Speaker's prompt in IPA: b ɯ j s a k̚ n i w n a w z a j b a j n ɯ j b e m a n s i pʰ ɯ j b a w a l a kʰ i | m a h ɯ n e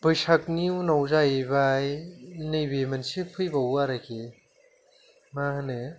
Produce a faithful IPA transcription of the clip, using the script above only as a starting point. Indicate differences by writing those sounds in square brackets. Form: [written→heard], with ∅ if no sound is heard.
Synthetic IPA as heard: b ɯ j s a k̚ n i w n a w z a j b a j n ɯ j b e m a n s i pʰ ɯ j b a w a [l→ɾ] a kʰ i | m a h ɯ n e